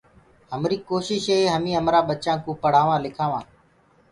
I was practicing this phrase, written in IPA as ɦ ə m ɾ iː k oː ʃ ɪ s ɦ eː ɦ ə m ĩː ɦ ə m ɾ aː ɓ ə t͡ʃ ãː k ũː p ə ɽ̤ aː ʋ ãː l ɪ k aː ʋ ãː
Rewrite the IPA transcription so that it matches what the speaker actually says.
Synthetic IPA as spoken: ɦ ə m ɾ iː k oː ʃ ɪ ʃ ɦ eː ɦ ə m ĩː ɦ ə m ɾ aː ɓ ə t͡ʃ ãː k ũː p ə ɽ̤ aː ʋ ãː l ɪ kʰ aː ʋ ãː